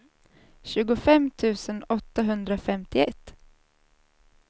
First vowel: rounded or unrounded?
rounded